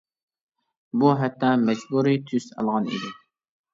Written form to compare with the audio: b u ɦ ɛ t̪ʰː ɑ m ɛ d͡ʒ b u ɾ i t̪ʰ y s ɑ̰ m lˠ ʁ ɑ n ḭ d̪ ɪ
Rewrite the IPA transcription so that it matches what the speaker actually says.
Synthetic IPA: b u ɦ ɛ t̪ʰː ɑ m ɛ d͡ʒ b u ɾ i t̪ʰ y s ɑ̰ lˠ ʁ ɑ n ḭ d̪ ɪ

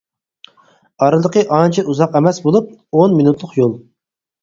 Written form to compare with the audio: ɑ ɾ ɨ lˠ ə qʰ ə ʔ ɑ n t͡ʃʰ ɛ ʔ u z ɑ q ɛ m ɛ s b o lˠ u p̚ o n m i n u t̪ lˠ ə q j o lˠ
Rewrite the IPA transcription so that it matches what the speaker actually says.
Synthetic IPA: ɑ ɾ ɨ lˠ ə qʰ ə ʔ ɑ n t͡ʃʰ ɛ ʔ u z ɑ q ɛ m ɛ s b o lˠ u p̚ o n m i n u t̪ lˠ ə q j o lˠ

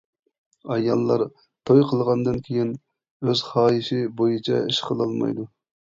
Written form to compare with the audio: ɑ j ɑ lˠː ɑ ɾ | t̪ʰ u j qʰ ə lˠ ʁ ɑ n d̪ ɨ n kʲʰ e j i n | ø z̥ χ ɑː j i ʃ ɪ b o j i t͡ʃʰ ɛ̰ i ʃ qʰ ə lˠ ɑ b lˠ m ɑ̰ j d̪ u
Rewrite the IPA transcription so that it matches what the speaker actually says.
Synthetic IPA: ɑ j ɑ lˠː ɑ ɾ | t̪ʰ o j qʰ ə lˠ ʁ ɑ n d̪ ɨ n kʲʰ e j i n | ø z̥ χ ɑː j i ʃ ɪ b o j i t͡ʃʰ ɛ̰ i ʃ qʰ ə lˠ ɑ lˠ m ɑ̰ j d̪ u

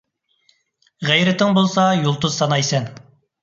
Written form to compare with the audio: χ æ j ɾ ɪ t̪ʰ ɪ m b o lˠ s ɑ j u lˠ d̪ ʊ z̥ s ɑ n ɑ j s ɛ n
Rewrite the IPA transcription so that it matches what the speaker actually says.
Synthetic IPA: ʁ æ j ɾ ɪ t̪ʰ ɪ ŋ b o lˠ s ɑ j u lˠ t̪ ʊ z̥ s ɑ n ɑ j s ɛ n

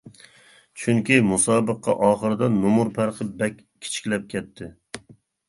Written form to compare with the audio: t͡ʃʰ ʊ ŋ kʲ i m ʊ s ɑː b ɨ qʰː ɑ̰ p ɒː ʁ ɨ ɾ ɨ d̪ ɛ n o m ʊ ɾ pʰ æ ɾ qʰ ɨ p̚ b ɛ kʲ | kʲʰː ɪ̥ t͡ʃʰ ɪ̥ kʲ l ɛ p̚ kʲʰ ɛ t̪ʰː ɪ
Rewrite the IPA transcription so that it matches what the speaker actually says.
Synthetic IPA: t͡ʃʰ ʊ ŋ kʲ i m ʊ s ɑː b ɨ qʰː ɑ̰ ʔ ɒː χ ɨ ɾ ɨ d̪ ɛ n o m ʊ ɾ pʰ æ ɾ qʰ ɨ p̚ b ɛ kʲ | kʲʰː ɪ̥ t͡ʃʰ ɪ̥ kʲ l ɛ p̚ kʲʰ ɛ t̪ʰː ɪ

